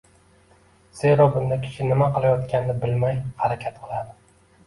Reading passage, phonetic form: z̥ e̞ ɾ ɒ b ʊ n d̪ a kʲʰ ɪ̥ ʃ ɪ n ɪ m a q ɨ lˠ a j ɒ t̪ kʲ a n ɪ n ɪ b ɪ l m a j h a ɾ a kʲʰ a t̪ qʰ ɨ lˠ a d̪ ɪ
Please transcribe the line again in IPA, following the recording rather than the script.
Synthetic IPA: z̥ e̞ ɾ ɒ b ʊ n d̪ a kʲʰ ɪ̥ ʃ ɪ n ɪ m a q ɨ lˠ a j ɒ t̪ kʲ a n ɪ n ɪ b ɪ l m a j h a ɾ a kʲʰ a t̪ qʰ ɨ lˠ a d̪ ɪ